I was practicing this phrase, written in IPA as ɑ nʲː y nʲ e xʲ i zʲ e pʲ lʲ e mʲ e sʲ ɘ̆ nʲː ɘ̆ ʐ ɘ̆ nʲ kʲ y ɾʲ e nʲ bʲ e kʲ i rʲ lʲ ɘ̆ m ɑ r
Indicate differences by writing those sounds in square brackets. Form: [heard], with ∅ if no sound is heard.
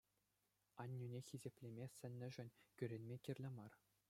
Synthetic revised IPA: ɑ nʲː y nʲ e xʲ i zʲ e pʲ lʲ e mʲ e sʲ ɘ̆ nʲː ɘ̆ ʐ ɘ̆ nʲ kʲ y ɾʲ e nʲ [mʲ] e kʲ i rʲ lʲ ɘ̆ m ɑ r